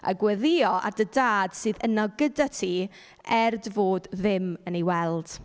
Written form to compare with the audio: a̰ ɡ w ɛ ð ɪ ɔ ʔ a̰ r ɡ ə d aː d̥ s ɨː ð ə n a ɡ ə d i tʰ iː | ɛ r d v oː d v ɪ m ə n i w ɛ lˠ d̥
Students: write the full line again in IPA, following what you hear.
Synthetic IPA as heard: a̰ ɡ w ɛ ð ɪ ɔ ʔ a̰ r d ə d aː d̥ s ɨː ð ə n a ɡ ə d a tʰ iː | ɛ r d v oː d ð ɪ m ə n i w ɛ lˠ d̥